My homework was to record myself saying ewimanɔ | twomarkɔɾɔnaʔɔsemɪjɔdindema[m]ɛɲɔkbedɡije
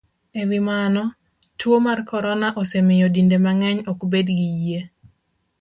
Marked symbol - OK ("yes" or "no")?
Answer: no